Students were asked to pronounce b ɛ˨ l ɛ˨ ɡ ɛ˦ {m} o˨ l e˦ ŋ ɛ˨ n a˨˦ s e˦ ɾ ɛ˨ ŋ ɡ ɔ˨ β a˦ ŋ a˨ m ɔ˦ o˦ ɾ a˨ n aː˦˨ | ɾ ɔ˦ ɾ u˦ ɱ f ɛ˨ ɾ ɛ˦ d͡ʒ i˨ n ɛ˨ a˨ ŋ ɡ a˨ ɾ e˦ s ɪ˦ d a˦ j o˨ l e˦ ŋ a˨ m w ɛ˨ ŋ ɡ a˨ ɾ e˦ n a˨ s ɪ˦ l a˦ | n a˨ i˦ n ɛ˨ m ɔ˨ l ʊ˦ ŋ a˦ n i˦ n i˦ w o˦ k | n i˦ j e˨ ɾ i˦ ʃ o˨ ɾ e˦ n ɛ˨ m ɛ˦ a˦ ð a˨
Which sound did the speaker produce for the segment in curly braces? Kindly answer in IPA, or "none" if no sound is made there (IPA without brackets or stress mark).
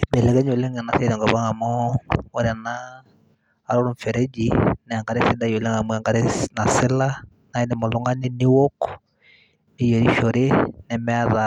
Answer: ɲ